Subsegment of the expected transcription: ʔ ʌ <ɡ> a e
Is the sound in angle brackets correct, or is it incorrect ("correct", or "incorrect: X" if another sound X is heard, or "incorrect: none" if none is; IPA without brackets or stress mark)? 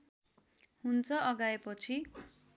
correct